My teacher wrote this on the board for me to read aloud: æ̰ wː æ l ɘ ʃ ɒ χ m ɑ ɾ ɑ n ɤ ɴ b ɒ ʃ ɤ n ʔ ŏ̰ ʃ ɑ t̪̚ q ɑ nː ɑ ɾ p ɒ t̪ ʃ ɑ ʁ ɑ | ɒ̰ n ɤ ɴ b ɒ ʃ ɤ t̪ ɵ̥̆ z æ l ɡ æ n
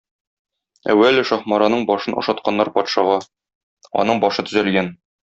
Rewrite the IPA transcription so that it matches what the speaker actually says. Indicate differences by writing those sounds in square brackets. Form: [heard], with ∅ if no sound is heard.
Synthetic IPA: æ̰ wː æ l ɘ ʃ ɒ χ m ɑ ɾ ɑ n ɤ ɴ b ɒ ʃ ɤ n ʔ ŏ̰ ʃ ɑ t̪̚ q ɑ nː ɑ ɾ p ɒ t̪ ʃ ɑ ʁ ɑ | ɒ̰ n ɤ ɴ b ɒ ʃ ɤ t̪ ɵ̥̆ z æ l ɡ æ n